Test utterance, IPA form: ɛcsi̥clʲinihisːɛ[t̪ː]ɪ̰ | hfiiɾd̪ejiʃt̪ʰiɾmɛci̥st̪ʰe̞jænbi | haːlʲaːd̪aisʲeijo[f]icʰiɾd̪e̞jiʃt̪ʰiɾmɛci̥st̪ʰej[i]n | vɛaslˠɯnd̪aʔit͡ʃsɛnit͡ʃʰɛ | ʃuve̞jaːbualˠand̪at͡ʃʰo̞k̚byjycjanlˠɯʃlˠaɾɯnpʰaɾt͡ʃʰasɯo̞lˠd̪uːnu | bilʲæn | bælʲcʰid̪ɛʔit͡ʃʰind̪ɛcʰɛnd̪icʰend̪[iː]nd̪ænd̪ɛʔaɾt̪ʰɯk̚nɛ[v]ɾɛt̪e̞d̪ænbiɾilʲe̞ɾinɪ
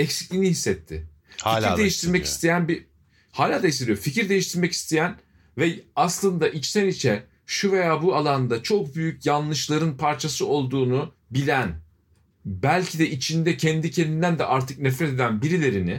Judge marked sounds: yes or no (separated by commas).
no, yes, no, no, no